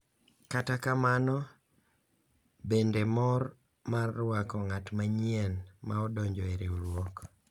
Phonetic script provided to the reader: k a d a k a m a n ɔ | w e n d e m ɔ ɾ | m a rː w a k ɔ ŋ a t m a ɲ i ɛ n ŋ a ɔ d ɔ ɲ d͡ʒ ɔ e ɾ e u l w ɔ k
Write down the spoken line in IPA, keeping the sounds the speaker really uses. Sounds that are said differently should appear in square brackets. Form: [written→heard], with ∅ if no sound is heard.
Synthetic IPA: k a [d→t] a k a m a n ɔ | [w→b] e n d e m ɔ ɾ | m a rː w a k ɔ ŋ a t m a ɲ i ɛ n [ŋ→m] a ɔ d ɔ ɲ d͡ʒ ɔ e ɾ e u l w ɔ k